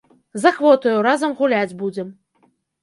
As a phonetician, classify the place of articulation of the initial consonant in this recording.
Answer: alveolar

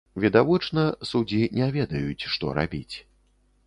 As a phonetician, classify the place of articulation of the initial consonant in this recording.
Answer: labial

